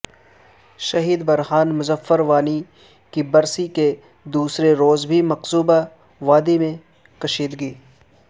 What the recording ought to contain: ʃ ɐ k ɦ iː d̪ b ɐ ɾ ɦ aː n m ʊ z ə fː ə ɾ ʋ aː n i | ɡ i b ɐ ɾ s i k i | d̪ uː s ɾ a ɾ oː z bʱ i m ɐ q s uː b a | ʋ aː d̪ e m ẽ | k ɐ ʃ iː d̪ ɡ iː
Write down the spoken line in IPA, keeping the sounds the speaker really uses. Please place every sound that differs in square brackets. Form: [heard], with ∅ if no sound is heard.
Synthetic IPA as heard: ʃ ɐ [∅] ɦ iː d̪ b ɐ ɾ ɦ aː n m ʊ z ə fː ə ɾ ʋ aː n i | [k] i b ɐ ɾ s i k [e] | d̪ uː s ɾ [e] ɾ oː z bʱ i m ɐ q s uː b a | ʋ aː d̪ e m ẽ | k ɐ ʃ iː d̪ ɡ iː